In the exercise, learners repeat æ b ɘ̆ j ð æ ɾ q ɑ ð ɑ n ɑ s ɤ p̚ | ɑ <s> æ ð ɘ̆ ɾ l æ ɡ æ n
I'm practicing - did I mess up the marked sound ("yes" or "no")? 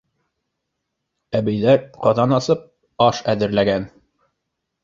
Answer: yes